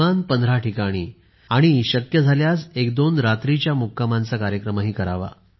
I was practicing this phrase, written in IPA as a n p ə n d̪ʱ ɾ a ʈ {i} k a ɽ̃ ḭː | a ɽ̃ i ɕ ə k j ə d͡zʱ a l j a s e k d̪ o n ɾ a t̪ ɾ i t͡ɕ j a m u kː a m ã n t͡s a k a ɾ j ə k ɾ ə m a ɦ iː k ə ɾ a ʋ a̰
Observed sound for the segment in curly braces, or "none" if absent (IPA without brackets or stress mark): i